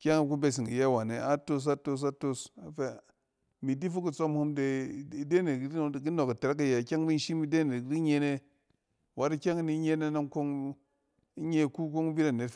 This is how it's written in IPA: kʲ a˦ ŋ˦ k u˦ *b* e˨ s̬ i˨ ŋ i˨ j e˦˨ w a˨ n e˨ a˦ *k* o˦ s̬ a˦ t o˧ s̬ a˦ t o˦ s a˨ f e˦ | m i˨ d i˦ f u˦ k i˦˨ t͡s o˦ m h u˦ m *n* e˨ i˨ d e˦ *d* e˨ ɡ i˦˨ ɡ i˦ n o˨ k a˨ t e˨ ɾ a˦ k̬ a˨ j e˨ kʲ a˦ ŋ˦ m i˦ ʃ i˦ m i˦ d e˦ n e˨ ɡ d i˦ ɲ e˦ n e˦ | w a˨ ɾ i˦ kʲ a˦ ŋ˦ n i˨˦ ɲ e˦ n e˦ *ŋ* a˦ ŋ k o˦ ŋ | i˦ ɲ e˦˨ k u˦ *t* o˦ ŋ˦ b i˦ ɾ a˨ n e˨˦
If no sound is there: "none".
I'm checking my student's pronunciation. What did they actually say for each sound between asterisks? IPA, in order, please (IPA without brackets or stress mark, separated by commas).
b, t, d, n, n, k